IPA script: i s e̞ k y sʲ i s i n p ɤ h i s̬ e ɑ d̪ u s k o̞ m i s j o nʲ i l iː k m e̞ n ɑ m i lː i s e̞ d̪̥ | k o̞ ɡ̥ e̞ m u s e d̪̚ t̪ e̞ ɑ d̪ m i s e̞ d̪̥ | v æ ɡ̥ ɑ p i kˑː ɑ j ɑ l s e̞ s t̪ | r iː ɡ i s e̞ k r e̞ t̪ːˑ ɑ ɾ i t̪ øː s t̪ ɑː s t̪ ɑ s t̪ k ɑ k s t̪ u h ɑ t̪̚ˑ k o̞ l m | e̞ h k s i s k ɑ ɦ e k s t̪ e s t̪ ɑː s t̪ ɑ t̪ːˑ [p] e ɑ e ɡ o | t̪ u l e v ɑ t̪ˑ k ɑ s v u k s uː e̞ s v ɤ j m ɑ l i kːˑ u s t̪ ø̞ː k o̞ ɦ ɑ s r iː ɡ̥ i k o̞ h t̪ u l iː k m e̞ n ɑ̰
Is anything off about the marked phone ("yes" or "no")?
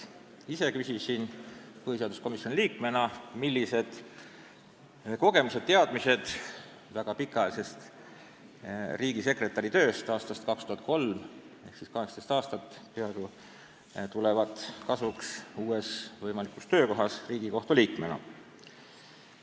no